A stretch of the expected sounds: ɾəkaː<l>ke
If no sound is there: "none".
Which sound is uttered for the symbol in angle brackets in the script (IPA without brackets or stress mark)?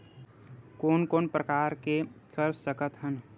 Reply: ɾ